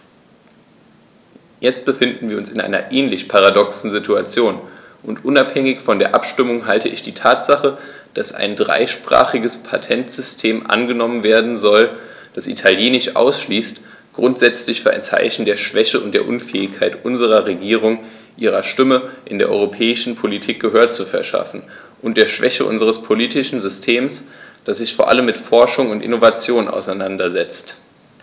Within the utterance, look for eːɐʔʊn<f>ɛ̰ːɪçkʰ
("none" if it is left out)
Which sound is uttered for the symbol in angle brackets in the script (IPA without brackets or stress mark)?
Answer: f